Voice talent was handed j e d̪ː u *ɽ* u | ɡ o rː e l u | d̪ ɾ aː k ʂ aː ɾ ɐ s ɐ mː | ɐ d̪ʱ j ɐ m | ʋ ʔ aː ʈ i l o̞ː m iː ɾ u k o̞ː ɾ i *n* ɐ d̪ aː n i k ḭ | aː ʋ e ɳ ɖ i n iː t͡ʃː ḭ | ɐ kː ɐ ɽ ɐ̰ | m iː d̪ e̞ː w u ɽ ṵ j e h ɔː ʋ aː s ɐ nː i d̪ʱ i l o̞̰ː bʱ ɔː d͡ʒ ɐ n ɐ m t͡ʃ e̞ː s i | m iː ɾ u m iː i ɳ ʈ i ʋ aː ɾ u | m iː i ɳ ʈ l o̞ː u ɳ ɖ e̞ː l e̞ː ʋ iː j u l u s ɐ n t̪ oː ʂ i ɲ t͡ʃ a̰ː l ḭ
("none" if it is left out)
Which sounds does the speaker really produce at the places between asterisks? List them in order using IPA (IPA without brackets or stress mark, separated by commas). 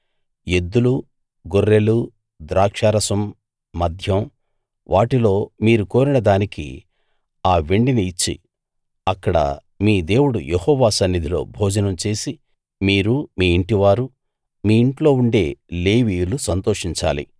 l, n